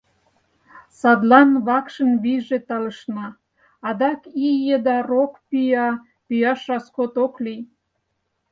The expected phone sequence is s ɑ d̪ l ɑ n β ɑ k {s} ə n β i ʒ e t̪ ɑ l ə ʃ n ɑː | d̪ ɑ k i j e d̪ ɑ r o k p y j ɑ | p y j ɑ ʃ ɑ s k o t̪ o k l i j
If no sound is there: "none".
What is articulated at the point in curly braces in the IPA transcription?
ʃ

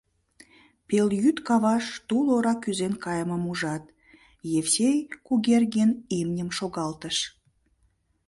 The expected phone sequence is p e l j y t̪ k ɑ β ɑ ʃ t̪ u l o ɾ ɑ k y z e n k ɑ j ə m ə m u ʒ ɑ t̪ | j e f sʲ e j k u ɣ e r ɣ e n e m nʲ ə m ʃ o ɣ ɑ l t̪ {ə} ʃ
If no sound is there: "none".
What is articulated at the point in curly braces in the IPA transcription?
ə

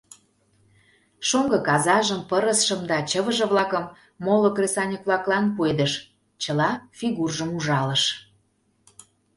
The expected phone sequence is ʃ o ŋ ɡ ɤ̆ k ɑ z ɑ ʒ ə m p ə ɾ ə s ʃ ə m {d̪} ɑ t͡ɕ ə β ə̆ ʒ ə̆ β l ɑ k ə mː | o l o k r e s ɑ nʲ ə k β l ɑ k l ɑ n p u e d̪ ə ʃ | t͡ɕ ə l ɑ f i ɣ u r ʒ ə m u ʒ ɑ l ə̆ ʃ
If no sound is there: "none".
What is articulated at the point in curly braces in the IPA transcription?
d̪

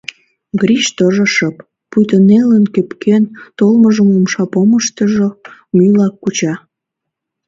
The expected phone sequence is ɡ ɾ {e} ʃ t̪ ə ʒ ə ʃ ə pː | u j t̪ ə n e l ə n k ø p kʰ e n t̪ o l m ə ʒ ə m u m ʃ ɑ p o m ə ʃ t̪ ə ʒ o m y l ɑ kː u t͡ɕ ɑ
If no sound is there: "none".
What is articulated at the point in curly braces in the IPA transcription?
i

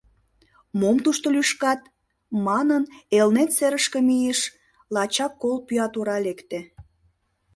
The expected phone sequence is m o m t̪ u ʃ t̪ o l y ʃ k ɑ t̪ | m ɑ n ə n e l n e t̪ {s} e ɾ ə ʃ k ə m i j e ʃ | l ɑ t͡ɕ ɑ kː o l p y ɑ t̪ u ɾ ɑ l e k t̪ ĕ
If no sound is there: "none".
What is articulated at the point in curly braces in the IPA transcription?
s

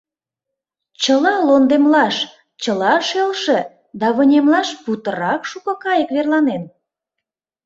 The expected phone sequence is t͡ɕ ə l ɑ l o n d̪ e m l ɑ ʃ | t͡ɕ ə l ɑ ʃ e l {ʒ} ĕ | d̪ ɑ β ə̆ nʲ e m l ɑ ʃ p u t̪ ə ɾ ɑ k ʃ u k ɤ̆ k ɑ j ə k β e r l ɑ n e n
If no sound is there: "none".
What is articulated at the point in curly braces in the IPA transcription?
ʃ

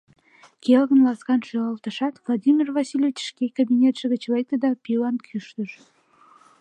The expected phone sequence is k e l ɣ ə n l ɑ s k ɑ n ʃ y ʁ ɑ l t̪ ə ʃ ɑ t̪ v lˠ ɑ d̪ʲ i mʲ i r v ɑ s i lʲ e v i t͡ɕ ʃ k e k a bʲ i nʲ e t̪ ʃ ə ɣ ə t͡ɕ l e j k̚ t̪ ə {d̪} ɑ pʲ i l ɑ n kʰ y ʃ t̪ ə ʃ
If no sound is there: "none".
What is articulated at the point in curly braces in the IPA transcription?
d̪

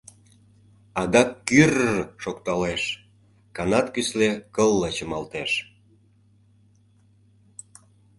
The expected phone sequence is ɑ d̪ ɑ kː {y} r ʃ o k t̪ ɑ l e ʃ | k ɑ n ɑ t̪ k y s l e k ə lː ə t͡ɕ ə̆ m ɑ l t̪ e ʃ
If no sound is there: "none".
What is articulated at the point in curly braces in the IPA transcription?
y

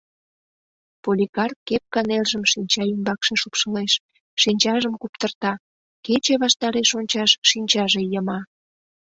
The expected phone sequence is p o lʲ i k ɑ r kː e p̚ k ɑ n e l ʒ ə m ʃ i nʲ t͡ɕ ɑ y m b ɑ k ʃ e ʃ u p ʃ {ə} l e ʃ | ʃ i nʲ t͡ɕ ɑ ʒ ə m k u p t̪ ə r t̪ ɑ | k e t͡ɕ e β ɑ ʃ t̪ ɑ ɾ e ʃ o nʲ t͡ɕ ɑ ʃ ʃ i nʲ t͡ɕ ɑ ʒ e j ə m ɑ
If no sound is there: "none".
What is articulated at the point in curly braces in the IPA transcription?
ə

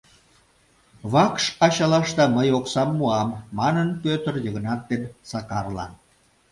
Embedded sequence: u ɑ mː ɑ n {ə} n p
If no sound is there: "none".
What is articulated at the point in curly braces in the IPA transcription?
ə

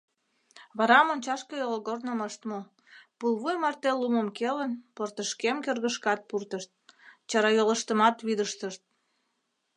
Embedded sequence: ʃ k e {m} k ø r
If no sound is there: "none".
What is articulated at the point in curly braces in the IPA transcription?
m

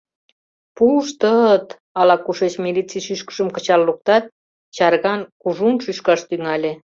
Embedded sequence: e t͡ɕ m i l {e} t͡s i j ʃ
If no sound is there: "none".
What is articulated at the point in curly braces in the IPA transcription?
i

